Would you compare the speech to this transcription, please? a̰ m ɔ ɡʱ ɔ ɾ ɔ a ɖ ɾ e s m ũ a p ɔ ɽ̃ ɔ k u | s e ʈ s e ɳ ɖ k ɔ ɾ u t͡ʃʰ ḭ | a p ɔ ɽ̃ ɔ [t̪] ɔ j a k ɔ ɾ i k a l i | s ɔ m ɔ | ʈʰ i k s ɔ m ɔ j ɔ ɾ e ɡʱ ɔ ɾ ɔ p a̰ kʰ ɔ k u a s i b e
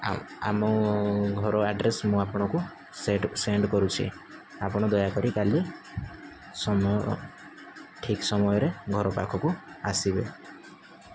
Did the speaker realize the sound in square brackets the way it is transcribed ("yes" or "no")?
no